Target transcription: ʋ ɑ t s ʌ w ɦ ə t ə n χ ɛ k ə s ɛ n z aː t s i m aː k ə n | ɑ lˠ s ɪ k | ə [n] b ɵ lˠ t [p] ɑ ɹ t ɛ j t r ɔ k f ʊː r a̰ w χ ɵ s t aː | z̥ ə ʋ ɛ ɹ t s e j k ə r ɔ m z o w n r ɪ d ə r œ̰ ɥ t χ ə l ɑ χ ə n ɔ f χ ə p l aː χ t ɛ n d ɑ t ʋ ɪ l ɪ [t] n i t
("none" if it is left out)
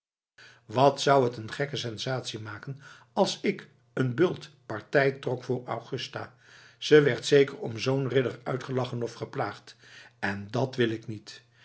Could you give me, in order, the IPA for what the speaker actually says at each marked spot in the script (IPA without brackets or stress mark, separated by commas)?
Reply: n, p, k